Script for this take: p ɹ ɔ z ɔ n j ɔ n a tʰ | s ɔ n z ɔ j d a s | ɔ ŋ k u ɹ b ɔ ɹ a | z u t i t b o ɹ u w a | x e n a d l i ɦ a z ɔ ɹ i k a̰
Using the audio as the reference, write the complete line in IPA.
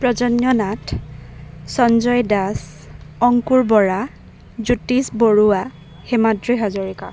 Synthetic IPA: p ɹ ɔ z ɔ n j ɔ n a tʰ | s ɔ n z ɔ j d a s | ɔ ŋ k u ɹ b ɔ ɹ a | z u t i s b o ɹ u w a | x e m a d ɹ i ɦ a z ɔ ɹ i k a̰

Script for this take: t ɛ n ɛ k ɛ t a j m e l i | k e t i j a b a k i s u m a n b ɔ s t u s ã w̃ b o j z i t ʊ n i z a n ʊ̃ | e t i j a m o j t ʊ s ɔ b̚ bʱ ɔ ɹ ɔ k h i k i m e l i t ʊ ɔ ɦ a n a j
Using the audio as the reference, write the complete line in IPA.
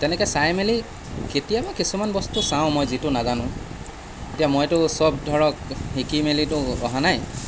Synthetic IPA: t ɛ n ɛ k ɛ s a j m e l i | k e t i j a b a k i s u m a n b ɔ s t u s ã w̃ m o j z i t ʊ n a z a n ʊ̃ | e t i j a m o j t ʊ s ɔ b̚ dʱ ɔ ɹ ɔ k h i k i m e l i t ʊ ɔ ɦ a n a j

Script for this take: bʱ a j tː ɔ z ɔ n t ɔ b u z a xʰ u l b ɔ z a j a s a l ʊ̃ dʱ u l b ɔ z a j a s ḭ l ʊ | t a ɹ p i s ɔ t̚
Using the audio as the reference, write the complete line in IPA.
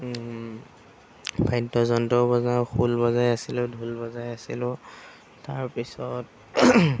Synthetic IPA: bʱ a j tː ɔ z ɔ n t ɔ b ɔ z a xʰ u l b ɔ z a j a s i l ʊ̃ dʱ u l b ɔ z a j a s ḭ l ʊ | t a ɹ p i s ɔ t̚

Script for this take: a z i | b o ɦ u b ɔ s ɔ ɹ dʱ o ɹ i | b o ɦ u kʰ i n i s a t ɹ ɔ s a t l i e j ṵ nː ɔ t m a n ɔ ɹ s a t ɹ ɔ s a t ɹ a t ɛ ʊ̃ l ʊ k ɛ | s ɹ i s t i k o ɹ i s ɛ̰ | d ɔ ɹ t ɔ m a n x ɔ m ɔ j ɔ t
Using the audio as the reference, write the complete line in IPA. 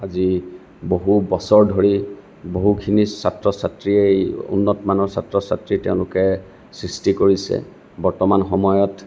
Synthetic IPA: a z i | b o ɦ u b ɔ s ɔ ɹ dʱ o ɹ i | b o ɦ u kʰ i n i s a t ɹ ɔ s a t ɹ i e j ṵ nː ɔ t m a n ɔ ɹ s a t ɹ ɔ s a t ɹ i t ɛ ʊ̃ l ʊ k ɛ | s ɹ i s t i k o ɹ i s ɛ̰ | b ɔ ɹ t ɔ m a n x ɔ m ɔ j ɔ t

